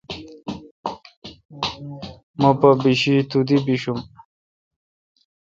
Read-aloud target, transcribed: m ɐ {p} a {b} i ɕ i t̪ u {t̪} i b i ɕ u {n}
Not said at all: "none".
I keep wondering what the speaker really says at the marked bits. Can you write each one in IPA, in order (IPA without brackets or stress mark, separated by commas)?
p, b, d̪, m